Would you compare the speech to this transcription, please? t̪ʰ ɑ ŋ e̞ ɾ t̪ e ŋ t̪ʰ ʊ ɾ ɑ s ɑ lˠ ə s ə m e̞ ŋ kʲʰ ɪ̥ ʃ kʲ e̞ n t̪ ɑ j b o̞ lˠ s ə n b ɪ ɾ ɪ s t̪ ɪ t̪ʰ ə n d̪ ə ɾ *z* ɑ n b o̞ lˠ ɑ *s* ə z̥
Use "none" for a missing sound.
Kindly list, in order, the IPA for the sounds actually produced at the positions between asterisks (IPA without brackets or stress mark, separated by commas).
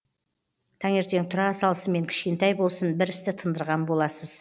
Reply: ʁ, s